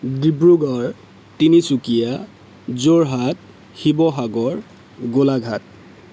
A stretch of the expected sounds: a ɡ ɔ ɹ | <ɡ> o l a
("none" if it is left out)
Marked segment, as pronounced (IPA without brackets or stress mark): ɡ